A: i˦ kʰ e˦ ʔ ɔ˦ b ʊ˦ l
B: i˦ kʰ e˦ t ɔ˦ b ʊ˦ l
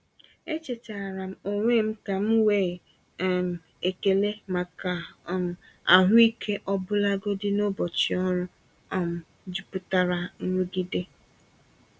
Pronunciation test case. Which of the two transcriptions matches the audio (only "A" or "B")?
A